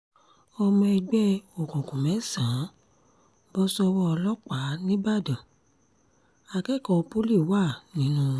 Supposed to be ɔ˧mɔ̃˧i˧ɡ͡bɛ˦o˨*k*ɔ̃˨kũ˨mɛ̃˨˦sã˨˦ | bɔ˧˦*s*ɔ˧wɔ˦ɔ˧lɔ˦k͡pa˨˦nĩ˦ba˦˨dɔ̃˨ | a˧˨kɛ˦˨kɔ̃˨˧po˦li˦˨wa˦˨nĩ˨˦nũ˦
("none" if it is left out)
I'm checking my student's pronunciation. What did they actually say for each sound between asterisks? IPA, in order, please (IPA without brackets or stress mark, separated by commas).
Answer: k, s